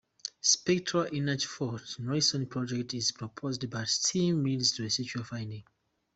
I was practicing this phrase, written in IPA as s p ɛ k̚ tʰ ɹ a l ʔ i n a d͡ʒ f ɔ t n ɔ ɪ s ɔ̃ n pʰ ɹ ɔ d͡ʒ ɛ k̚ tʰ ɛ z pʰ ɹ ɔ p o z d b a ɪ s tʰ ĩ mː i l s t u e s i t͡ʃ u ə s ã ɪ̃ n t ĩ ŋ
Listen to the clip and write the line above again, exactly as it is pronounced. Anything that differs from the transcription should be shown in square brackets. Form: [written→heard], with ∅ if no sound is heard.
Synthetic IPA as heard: s p ɛ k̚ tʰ ɹ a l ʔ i n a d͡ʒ f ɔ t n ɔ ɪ s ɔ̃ n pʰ ɹ ɔ d͡ʒ ɛ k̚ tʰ [ɛ→i] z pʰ ɹ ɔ [p→pʰ] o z d b a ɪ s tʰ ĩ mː i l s t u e s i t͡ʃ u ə [s→f] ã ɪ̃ n [t→d] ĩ ŋ